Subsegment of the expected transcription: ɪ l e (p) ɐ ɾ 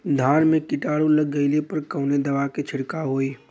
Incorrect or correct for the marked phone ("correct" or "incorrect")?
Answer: correct